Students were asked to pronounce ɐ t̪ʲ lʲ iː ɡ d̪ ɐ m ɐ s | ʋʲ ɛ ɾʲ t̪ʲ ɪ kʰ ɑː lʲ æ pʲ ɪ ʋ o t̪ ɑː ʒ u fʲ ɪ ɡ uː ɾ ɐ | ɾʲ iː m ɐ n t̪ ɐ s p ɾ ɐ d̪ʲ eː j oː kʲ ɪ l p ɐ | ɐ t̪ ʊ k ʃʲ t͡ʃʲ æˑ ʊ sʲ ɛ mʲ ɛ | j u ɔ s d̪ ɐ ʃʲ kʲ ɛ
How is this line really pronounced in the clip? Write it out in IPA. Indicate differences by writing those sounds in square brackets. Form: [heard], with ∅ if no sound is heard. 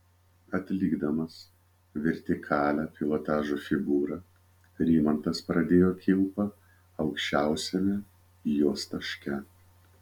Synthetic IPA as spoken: ɐ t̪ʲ lʲ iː ɡ d̪ ɐ m ɐ s | ʋʲ ɛ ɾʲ t̪ʲ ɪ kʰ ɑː lʲ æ pʲ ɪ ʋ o t̪ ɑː ʒ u fʲ ɪ ɡ uː ɾ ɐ | ɾʲ iː m ɐ n t̪ ɐ s p ɾ ɐ d̪ʲ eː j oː kʲ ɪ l p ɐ | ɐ [∅] ʊ k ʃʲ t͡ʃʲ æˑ ʊ sʲ ɛ mʲ ɛ | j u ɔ s [t̪] ɐ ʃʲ kʲ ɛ